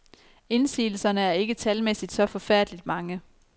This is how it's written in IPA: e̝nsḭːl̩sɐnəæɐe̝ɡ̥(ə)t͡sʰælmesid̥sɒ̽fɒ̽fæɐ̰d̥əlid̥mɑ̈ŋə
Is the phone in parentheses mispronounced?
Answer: no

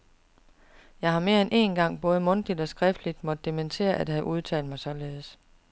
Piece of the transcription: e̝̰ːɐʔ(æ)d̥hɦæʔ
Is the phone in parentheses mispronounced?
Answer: no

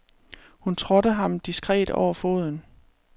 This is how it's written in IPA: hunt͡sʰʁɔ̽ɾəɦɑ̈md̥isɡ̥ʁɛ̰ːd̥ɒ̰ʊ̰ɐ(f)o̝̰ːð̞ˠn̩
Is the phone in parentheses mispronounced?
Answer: no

